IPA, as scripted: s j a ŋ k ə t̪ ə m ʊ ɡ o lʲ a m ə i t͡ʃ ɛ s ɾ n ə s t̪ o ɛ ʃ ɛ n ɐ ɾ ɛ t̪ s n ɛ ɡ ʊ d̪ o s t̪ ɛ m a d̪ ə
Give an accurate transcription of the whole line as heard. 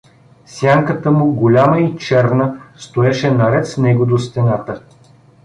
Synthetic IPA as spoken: s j a ŋ k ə t̪ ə m ʊ ɡ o lʲ a m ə i t͡ʃ ɛ ɾ n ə s t̪ o ɛ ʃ ɛ n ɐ ɾ ɛ t̪ s n ɛ ɡ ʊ d̪ o s t̪ ɛ n a t̪ ə